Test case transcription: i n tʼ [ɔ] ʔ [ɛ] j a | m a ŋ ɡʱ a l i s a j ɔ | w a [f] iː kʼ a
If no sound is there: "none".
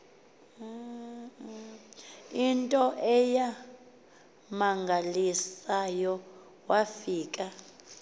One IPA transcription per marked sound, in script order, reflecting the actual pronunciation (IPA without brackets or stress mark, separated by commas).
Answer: ɔ, ɛ, f